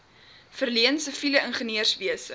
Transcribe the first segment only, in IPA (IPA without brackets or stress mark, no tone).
f